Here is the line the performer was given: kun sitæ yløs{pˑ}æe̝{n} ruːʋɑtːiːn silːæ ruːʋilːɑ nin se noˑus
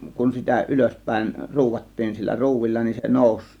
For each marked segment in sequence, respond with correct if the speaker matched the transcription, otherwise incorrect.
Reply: correct, correct

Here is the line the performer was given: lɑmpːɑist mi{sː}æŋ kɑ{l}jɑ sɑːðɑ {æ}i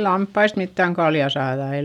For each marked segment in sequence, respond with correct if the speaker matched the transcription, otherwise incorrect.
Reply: incorrect, correct, incorrect

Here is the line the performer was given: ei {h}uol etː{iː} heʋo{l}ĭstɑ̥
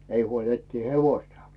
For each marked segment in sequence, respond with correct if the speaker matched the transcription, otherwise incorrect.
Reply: correct, correct, incorrect

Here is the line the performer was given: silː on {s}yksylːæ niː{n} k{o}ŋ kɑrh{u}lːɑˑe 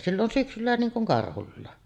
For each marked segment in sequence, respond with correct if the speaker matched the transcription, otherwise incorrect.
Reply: correct, incorrect, incorrect, correct

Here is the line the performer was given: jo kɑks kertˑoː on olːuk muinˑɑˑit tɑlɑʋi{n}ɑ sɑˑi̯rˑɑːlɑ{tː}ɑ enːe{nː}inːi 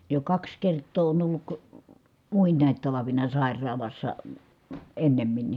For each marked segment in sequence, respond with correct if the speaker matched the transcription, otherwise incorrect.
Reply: correct, incorrect, incorrect

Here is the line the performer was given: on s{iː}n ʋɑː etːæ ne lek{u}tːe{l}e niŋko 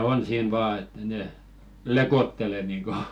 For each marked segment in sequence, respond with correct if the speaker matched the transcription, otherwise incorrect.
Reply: correct, incorrect, correct

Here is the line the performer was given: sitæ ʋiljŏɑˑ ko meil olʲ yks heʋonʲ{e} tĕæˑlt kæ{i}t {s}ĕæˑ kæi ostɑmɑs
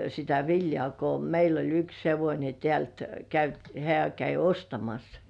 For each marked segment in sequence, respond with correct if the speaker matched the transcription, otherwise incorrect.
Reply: correct, incorrect, incorrect

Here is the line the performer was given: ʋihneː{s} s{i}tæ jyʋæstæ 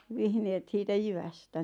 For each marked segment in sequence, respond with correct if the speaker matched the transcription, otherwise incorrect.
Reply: incorrect, incorrect

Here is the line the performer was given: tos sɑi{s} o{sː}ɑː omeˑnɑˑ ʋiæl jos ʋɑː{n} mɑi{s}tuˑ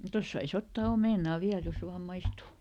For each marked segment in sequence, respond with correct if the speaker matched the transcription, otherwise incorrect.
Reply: correct, incorrect, incorrect, correct

